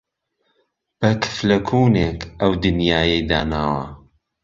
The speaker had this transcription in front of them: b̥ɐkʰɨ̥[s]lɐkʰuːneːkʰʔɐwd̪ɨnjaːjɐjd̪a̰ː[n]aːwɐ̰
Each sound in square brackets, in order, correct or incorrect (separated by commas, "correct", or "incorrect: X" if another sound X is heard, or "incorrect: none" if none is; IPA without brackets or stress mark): incorrect: f, correct